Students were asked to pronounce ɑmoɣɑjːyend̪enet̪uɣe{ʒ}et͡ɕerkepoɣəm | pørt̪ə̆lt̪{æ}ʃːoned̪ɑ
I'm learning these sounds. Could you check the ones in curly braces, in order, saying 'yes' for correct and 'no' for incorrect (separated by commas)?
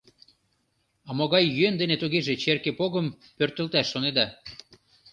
yes, yes